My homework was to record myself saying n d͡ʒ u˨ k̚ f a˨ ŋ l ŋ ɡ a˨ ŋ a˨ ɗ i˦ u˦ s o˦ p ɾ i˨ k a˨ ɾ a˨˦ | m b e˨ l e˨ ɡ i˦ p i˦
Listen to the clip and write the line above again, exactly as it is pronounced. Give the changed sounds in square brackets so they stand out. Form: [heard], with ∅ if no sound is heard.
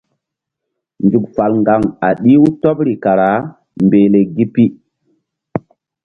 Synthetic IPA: n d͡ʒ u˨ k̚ f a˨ [∅] l ŋ ɡ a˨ ŋ a˨ ɗ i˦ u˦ [t] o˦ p ɾ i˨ k a˨ ɾ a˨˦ | m b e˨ l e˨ ɡ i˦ p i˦